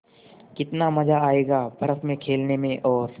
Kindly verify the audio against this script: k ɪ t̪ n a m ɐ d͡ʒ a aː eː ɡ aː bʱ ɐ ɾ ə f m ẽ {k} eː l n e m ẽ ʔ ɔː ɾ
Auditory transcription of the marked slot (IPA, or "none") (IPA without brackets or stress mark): kʰ